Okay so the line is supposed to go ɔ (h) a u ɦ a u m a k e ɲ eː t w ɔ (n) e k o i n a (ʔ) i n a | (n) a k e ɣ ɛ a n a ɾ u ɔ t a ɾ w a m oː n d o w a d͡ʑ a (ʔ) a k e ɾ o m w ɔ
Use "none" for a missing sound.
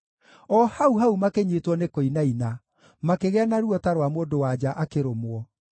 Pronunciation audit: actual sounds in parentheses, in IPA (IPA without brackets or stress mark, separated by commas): h, n, none, m, ʔ